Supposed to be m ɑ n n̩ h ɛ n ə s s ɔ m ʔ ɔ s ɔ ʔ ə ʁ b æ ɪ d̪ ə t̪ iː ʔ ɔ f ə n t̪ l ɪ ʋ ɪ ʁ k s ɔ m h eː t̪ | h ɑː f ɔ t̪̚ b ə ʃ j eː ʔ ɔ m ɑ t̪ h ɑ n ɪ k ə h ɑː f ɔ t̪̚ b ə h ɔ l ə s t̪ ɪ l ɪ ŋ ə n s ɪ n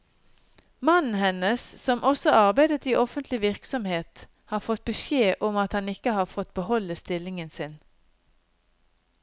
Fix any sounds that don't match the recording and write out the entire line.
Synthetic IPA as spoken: m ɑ n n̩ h ɛ n ə s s ɔ m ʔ ɔ s ɔ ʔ ɑ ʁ b æ ɪ d̪ ə t̪ iː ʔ ɔ f ə n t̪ l ɪ ʋ ɪ ʁ k s ɔ m h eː t̪ | h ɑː f ɔ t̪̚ b ə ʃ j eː ʔ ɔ m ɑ t̪ h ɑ n ɪ k ə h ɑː f ɔ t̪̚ b ə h ɔ l ə s t̪ ɪ l ɪ ŋ ə n s ɪ n